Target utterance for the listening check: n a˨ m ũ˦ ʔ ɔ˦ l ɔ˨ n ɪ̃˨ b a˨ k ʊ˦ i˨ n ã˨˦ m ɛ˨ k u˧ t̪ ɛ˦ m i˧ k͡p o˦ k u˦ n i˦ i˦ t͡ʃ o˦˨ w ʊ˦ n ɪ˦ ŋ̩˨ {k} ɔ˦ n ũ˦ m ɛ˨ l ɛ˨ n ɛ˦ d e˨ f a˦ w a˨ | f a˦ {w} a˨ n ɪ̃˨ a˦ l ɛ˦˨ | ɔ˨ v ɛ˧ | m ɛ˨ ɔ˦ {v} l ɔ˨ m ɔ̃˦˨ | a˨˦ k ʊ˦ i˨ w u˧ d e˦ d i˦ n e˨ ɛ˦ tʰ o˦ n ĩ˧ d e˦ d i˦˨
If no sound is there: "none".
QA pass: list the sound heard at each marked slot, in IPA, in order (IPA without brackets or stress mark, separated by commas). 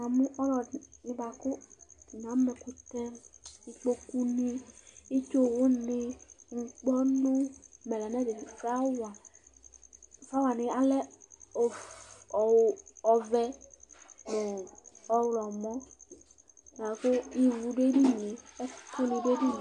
k͡p, w, w